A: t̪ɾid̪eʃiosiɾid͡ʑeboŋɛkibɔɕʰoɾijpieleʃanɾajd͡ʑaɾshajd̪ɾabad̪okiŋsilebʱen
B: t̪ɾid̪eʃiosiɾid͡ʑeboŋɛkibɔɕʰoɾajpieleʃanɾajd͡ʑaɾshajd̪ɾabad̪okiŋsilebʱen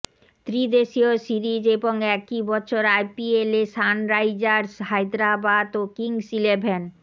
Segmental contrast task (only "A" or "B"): B